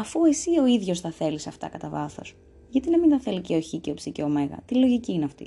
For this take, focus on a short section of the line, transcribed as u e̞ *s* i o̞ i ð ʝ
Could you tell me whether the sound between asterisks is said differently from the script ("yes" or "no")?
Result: no